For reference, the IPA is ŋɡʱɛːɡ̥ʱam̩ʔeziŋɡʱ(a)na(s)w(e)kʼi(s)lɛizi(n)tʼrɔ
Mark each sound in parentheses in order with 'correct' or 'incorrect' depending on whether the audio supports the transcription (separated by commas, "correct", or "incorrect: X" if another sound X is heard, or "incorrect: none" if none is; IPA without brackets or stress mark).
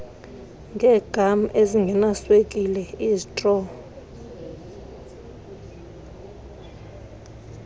incorrect: ɛ, correct, correct, incorrect: none, incorrect: none